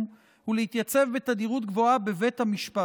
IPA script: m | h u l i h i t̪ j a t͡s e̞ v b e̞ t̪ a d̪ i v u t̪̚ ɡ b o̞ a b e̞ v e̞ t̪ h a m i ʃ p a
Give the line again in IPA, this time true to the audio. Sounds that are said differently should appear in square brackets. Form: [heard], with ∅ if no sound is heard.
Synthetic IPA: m | h u l [e] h i t̪ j a t͡s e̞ v b e̞ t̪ a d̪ i [ʁ] u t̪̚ ɡ [v] o̞ a b e̞ v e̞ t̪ h a m i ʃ p a

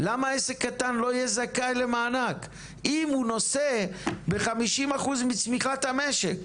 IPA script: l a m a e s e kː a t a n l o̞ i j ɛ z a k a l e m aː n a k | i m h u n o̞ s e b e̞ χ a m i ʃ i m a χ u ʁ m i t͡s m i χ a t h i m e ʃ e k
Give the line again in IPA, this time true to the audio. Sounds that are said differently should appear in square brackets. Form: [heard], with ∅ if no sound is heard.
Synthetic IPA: l a m a e s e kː a t a n l o̞ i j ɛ z a k a l e m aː n a k | i m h u n o̞ s e b e̞ χ a m i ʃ i m a χ u [z] m i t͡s m i χ a t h [a] m e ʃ e k

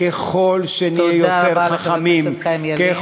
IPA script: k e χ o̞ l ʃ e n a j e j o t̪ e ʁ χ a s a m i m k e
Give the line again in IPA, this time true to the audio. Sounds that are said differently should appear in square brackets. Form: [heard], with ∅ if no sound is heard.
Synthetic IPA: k e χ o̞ l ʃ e n [i] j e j o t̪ e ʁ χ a [χ] a m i m k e

